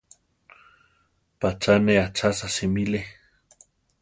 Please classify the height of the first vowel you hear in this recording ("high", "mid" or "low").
low